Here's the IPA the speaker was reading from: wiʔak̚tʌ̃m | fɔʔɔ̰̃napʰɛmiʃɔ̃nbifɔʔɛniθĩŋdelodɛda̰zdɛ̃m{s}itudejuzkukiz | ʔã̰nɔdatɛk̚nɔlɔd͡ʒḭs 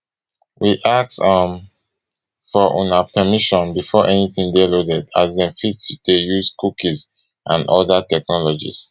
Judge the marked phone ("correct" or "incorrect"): incorrect